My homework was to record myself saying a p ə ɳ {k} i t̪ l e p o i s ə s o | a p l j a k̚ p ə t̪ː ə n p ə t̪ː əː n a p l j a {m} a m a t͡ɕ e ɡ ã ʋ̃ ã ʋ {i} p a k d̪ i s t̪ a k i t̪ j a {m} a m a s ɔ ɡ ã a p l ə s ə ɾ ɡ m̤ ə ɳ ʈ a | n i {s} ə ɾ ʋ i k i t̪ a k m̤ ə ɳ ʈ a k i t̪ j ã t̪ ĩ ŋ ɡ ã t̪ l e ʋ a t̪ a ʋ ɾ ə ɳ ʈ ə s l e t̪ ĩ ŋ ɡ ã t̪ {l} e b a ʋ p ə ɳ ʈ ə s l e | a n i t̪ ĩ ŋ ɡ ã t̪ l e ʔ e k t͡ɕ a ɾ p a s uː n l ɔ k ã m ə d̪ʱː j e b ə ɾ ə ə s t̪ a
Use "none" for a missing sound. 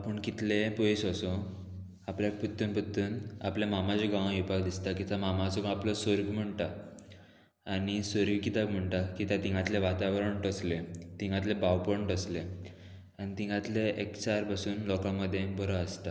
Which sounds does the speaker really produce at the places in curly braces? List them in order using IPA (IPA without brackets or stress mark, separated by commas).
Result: k, m, i, m, s, l